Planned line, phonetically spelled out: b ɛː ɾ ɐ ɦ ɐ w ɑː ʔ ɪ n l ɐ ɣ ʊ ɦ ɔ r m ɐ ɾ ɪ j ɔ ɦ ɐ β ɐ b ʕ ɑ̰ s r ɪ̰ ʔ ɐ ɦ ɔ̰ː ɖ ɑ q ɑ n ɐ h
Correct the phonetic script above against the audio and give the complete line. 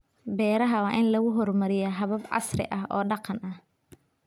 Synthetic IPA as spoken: b ɛː ɾ ɐ ɦ ɐ w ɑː ʔ ɪ n l ɐ ɣ ʊ ɦ ɔ r m ɐ ɾ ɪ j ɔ ɦ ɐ β ɐ b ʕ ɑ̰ s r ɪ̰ ʔ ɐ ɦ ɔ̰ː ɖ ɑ q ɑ n ɐ h